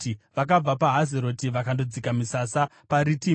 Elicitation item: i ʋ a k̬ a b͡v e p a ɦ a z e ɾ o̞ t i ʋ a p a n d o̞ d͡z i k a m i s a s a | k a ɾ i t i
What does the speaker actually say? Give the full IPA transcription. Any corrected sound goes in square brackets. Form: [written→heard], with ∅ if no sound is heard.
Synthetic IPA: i ʋ a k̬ a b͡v [e→a] p a ɦ a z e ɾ o̞ t i ʋ a [p→k] a n d o̞ d͡z i k a m i s a s a | [k→p] a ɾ i t i

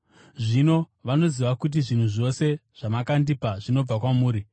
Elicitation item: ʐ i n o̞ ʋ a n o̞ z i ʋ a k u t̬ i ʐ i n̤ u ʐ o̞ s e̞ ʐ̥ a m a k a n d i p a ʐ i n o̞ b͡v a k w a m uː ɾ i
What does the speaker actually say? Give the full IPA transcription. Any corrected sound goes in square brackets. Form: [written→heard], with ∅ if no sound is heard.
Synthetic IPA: ʐ i n o̞ ʋ a n o̞ z i ʋ a k u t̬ i ʐ i n̤ u ʐ o̞ s e̞ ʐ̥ a m a k a n d i p a ʐ i n o̞ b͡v a k w a m uː ɾ i

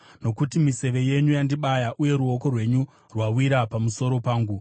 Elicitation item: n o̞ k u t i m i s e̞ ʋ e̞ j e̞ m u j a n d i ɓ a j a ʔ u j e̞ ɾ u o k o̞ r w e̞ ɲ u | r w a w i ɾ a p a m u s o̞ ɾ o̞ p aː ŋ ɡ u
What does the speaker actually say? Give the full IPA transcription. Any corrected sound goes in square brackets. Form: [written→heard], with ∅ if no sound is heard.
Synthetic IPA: n o̞ k u t i m i s e̞ ʋ e̞ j e̞ [m→ɲ] u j a n d i ɓ a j a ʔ u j e̞ ɾ u o k o̞ r w e̞ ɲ u | r w a w i ɾ a p a m u s o̞ ɾ o̞ p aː ŋ ɡ u

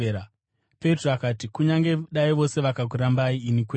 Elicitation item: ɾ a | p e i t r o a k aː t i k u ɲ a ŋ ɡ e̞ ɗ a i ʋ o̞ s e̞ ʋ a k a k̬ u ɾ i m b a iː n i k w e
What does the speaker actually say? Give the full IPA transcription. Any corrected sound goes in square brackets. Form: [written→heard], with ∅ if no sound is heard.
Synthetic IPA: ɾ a | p e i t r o a k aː t i k u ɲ a ŋ ɡ e̞ ɗ a i ʋ o̞ s e̞ ʋ a k a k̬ u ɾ [i→a] m b a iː n i k w e

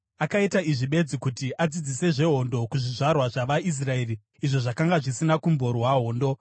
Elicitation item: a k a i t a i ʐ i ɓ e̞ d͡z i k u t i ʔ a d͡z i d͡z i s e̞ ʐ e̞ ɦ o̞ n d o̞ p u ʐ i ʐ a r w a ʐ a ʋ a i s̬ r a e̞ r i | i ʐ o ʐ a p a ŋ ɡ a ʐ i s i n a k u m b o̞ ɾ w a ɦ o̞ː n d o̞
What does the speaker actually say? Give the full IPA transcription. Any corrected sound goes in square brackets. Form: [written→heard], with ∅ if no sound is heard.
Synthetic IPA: a k a i t a i ʐ i ɓ e̞ d͡z i k u t i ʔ a d͡z i d͡z i s e̞ ʐ e̞ ɦ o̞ n d o̞ [p→k] u ʐ i ʐ a r w a ʐ a ʋ a i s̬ r a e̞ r i | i ʐ o ʐ a [p→k] a ŋ ɡ a ʐ i s i n a k u m b o̞ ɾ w a ɦ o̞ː n d o̞

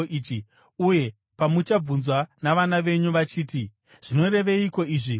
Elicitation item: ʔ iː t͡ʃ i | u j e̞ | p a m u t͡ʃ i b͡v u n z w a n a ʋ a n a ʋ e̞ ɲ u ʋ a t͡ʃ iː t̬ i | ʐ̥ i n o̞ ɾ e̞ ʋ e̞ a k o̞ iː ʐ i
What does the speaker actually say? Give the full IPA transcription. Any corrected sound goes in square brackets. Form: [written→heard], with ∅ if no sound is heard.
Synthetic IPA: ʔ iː t͡ʃ i | u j e̞ | p a m u t͡ʃ [i→a] b͡v u n z w a n a ʋ a n a ʋ e̞ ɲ u ʋ a t͡ʃ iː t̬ i | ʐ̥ i n o̞ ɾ e̞ ʋ e̞ [a→i] k o̞ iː ʐ i

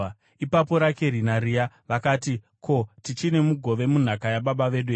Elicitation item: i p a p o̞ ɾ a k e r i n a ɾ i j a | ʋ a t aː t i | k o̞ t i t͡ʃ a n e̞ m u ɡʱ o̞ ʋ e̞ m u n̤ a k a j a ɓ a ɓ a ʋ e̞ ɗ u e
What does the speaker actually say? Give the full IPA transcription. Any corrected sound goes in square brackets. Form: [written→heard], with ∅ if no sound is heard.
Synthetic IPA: i p a p o̞ ɾ a k e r i n a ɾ i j a | ʋ a [t→k] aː t i | k o̞ t i t͡ʃ [a→i] n e̞ m u ɡʱ o̞ ʋ e̞ m u n̤ a k a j a ɓ a ɓ a ʋ e̞ ɗ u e

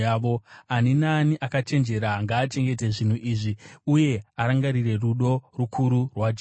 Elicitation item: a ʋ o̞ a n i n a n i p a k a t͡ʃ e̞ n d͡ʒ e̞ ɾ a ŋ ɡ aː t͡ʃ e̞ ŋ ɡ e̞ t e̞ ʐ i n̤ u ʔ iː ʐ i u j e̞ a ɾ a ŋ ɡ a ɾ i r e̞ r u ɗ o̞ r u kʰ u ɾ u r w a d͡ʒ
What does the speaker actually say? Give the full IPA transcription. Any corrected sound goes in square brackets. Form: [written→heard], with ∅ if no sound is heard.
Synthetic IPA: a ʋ o̞ a n i n a n i [p→ʔ] a k a t͡ʃ e̞ n d͡ʒ e̞ ɾ a ŋ ɡ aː t͡ʃ e̞ ŋ ɡ e̞ t e̞ ʐ i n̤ u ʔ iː ʐ i u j e̞ a ɾ a ŋ ɡ a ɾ i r e̞ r u ɗ o̞ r u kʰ u ɾ u r w a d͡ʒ

